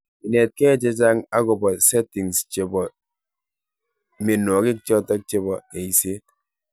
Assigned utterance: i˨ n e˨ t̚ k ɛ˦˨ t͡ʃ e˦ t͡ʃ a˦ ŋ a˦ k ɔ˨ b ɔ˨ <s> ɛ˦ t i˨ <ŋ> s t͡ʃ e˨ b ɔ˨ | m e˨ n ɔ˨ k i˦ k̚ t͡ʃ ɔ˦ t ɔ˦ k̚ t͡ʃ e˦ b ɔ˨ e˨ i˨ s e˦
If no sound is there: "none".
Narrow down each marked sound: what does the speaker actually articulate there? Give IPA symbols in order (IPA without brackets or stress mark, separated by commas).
s, ŋ